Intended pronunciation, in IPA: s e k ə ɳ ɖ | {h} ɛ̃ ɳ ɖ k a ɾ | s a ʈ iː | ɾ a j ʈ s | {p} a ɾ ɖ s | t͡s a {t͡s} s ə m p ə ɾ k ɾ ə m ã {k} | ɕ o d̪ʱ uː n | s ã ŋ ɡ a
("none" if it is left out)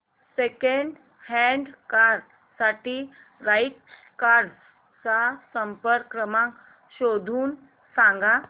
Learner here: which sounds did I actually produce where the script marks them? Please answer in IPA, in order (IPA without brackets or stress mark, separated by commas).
h, k, none, k